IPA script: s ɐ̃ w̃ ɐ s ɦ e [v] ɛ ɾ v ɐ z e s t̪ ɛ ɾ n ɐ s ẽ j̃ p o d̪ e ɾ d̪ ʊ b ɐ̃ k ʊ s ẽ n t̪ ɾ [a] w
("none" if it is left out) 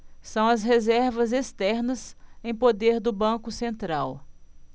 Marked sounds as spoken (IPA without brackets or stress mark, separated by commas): z, a